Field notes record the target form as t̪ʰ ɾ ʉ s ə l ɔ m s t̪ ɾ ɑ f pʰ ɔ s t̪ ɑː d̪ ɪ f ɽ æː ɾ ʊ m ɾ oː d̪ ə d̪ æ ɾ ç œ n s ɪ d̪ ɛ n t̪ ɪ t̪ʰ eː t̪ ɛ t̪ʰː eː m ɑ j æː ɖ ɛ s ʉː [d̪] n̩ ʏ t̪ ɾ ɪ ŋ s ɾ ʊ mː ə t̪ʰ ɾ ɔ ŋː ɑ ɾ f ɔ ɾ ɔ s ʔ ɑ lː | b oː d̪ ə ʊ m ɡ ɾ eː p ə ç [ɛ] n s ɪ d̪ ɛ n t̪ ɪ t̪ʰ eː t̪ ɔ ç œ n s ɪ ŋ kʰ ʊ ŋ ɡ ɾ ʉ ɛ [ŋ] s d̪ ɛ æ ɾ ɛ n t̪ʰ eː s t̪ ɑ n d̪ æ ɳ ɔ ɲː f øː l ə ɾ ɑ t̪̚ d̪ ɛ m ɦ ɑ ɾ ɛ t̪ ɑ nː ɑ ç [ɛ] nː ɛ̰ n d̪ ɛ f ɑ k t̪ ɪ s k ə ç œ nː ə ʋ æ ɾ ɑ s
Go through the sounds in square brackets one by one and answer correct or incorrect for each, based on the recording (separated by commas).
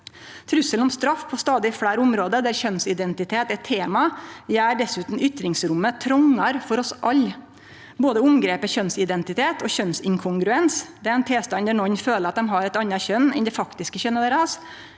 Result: incorrect, incorrect, incorrect, incorrect